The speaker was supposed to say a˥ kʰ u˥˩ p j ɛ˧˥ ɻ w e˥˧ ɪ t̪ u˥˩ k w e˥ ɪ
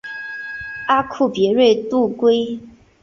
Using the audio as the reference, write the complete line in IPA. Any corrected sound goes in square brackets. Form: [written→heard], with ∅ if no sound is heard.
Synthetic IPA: a˥ kʰ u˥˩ p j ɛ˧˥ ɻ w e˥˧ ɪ t̪ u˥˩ k w e˥ ɪ

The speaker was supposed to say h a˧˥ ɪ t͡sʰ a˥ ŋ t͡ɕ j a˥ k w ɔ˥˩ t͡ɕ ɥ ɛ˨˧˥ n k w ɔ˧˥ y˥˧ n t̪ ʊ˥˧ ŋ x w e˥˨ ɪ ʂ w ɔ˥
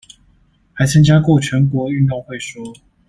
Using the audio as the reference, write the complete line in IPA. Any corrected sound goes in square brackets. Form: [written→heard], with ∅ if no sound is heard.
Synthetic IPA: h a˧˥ ɪ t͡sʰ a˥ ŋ t͡ɕ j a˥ k w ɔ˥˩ [t͡ɕ→t͡ɕʰ] ɥ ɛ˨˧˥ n k w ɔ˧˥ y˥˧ n t̪ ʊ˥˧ ŋ x w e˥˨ ɪ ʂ w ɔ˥

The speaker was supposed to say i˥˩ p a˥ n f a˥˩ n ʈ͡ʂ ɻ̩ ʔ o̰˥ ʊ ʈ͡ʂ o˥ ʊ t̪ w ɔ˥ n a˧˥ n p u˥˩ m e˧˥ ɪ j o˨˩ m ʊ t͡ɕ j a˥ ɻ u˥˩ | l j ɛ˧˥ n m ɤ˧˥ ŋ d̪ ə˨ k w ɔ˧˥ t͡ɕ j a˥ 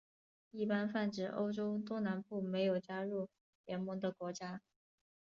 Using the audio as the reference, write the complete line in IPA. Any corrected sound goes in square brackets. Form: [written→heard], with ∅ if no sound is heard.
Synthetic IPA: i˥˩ p a˥ n f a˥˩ n ʈ͡ʂ ɻ̩ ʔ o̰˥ ʊ ʈ͡ʂ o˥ ʊ t̪ w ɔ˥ n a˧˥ n p u˥˩ m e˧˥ ɪ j o˨˩ [m→∅] ʊ t͡ɕ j a˥ ɻ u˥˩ | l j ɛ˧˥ n m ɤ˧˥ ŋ d̪ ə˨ k w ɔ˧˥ t͡ɕ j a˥

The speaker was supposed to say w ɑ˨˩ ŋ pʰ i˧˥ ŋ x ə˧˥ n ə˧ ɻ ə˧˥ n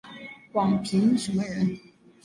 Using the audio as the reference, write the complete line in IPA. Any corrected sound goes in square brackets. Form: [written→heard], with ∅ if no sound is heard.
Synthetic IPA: w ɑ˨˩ ŋ pʰ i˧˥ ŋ [x→ʂ] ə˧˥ [n→m] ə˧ ɻ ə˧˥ n

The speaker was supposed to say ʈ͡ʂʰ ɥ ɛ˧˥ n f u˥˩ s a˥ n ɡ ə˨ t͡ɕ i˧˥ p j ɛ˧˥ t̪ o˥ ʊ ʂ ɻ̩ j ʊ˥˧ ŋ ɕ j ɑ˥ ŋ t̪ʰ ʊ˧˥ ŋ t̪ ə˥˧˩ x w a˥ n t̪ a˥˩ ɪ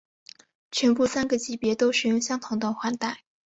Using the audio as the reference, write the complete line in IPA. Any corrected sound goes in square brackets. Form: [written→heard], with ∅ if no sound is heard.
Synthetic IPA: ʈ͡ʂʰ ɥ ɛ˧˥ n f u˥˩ s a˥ n ɡ ə˨ t͡ɕ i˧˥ p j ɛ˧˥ t̪ o˥ ʊ ʂ ɻ̩ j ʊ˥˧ ŋ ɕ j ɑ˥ ŋ t̪ʰ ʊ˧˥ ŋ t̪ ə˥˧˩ x w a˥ n t̪ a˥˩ ɪ

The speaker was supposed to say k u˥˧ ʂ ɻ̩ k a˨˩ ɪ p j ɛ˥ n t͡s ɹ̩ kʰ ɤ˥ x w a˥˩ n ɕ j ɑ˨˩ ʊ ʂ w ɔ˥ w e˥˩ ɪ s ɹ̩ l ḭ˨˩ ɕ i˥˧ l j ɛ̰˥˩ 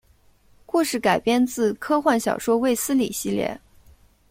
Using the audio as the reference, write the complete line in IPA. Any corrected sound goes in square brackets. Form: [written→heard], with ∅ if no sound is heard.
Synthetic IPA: k u˥˧ ʂ ɻ̩ k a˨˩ ɪ p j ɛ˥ n t͡s ɹ̩ kʰ ɤ˥ x w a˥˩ n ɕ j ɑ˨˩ ʊ ʂ w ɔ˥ w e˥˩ ɪ s ɹ̩ l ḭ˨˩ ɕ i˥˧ l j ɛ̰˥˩

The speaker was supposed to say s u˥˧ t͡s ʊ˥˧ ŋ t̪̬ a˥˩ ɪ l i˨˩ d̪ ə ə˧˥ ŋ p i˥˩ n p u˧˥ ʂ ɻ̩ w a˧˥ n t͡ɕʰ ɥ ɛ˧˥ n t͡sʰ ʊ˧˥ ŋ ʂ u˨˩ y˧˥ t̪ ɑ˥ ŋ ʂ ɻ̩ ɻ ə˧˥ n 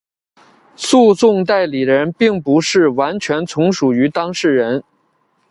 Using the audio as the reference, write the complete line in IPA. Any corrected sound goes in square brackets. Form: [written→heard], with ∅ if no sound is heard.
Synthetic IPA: s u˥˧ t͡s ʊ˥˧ ŋ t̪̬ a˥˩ ɪ l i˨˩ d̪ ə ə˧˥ [ŋ→n] p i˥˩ [n→ŋ] p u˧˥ ʂ ɻ̩ w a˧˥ n t͡ɕʰ ɥ ɛ˧˥ n t͡sʰ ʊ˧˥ ŋ ʂ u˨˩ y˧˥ t̪ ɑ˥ ŋ ʂ ɻ̩ ɻ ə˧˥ n

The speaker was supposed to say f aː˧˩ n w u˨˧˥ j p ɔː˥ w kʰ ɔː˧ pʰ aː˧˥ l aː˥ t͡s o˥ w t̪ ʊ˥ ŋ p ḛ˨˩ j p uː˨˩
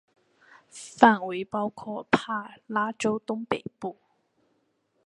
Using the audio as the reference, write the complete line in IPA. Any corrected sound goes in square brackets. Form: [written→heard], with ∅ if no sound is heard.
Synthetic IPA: f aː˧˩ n w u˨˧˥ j p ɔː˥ w kʰ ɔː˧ pʰ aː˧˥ l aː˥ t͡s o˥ w t̪ ʊ˥ ŋ p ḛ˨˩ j p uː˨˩

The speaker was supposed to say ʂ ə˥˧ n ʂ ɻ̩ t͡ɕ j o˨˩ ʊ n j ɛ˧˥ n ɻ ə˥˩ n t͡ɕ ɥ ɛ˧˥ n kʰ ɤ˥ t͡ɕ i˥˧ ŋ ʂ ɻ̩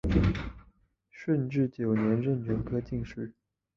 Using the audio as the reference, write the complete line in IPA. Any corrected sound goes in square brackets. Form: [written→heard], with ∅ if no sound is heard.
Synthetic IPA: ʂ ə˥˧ n [ʂ→ʈ͡ʂ] ɻ̩ t͡ɕ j o˨˩ ʊ n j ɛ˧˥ n ɻ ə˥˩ n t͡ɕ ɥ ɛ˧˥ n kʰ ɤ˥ t͡ɕ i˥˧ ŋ ʂ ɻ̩

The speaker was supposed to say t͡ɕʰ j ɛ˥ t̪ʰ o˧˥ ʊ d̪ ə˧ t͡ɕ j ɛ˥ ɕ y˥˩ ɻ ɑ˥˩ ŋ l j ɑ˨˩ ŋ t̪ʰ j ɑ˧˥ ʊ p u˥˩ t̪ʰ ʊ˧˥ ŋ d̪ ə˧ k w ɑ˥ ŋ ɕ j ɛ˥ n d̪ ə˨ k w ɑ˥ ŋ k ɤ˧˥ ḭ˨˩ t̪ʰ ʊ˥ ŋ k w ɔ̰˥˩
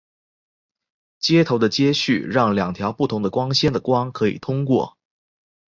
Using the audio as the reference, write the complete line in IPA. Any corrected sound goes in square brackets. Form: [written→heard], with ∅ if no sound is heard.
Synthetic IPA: [t͡ɕʰ→t͡ɕ] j ɛ˥ t̪ʰ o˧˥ ʊ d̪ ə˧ t͡ɕ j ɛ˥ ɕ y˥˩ ɻ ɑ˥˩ ŋ l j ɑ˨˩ ŋ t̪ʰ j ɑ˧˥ ʊ p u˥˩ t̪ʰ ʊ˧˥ ŋ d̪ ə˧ k w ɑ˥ ŋ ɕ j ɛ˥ n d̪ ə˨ k w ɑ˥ ŋ [k→kʰ] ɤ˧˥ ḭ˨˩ t̪ʰ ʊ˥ ŋ k w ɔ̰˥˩

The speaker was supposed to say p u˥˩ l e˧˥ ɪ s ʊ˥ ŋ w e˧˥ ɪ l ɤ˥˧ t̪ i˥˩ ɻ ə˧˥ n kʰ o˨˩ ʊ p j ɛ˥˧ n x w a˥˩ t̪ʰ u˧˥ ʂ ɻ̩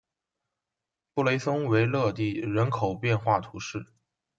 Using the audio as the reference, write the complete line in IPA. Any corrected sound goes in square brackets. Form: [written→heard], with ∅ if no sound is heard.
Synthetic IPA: p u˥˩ l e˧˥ ɪ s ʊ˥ ŋ w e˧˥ ɪ l ɤ˥˧ t̪ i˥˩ ɻ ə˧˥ n kʰ o˨˩ ʊ p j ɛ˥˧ n x w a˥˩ t̪ʰ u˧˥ ʂ ɻ̩

